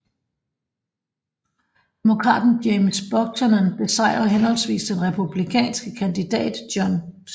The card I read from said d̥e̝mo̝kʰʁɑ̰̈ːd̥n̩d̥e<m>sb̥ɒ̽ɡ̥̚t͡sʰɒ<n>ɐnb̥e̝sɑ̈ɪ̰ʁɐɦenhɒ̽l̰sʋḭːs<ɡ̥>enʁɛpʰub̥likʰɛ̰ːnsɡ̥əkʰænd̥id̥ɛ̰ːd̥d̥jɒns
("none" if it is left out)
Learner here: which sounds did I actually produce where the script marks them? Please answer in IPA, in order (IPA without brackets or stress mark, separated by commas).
m, n, d̥